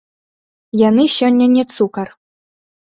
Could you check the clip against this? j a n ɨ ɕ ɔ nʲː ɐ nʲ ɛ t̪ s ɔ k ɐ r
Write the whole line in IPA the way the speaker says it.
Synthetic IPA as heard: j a n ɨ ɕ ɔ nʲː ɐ nʲ ɛ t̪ s u k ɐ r